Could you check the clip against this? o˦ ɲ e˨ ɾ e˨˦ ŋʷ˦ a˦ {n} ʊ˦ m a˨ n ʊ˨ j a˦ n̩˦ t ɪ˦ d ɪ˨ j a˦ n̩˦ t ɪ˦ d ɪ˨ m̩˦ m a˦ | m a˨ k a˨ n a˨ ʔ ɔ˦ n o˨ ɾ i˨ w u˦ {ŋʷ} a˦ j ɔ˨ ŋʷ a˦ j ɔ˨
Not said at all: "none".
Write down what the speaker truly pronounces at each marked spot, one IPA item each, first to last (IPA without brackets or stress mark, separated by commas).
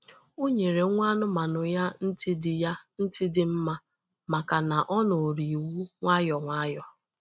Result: n, ŋʷ